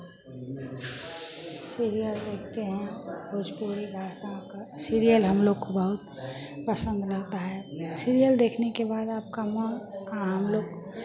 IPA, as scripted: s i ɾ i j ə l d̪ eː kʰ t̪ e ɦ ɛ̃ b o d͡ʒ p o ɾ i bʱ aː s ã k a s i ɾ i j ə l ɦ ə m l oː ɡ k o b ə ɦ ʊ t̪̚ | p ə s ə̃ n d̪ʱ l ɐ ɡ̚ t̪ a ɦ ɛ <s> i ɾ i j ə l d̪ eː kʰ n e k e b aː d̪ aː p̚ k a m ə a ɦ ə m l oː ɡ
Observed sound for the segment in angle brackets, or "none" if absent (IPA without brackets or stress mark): s